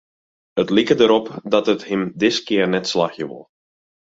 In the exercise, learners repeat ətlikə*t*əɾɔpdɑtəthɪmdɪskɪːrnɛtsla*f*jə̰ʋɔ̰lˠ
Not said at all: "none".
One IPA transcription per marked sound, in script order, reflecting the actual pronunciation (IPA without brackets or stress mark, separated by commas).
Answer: d, x